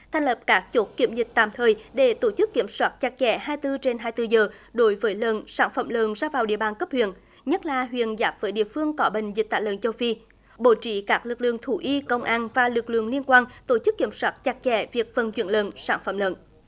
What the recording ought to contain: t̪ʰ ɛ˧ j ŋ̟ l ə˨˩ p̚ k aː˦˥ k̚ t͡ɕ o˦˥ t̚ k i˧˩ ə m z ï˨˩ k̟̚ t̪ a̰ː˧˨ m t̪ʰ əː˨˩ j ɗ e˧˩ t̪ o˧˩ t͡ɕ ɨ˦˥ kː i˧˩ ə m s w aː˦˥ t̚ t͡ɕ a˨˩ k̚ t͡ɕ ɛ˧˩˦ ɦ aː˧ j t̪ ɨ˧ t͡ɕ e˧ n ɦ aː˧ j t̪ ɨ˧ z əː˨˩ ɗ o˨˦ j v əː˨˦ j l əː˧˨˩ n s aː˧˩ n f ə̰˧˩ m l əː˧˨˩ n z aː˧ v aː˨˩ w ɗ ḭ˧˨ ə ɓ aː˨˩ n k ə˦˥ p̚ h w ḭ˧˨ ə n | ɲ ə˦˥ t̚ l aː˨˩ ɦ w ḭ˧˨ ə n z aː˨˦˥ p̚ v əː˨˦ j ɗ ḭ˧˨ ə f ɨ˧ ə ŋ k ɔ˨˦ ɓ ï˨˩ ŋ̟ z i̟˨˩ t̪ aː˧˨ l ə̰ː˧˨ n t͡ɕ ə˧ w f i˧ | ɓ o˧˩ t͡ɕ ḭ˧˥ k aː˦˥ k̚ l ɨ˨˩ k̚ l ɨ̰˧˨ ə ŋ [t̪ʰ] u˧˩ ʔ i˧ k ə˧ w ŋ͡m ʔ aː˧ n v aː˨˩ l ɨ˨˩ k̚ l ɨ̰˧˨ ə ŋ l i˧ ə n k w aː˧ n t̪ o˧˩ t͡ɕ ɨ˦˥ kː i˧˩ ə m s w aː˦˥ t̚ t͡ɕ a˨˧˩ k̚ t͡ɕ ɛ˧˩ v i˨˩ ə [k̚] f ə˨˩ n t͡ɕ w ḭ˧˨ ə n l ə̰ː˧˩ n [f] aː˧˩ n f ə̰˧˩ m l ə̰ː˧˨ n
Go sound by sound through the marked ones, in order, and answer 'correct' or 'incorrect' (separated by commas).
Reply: correct, correct, incorrect